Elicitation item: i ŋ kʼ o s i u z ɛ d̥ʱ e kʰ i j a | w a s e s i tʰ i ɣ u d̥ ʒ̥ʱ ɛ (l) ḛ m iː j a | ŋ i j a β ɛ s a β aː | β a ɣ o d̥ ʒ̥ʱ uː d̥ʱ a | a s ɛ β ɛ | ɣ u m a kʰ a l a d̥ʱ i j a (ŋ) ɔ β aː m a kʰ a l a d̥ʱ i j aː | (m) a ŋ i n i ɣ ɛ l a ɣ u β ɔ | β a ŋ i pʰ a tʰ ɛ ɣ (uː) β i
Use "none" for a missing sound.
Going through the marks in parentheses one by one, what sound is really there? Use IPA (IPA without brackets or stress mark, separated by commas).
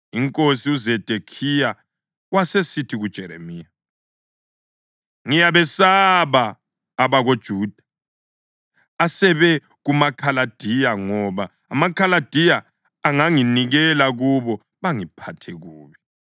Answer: ɾ, ŋ, ŋ, uː